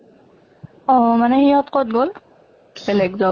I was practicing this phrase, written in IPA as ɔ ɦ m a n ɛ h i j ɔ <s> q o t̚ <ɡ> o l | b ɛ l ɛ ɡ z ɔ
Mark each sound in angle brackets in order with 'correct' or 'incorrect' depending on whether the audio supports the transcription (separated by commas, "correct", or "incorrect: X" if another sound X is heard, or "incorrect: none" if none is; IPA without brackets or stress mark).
incorrect: t, correct